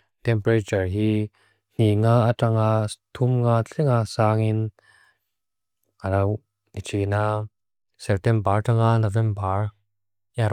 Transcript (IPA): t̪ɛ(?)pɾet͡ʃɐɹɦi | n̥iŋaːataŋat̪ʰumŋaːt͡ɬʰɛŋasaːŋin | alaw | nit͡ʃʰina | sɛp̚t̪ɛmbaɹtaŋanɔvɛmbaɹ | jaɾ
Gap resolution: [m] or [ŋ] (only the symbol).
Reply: m